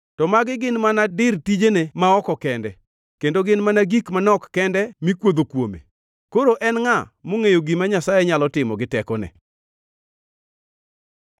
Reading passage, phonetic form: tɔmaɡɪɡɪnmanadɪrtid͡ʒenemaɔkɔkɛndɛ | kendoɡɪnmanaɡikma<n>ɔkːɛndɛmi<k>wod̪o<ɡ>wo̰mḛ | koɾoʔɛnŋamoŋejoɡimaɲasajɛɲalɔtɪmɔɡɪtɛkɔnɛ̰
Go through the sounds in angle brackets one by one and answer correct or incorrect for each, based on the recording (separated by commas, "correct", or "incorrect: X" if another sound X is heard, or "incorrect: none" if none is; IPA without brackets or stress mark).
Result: correct, correct, incorrect: k